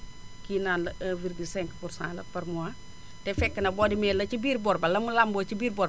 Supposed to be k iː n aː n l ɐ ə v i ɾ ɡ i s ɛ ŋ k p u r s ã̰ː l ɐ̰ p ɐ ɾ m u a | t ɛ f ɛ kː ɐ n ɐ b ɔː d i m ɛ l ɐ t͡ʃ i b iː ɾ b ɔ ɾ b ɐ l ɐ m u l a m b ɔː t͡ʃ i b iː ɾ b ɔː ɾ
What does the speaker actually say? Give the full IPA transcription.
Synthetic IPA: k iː n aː n l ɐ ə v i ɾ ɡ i s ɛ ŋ k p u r s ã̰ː l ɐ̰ p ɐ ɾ m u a | t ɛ f ɛ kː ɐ n ɐ b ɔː d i m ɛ l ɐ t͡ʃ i b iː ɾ b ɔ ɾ b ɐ l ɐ m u l a m b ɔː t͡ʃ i b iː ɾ b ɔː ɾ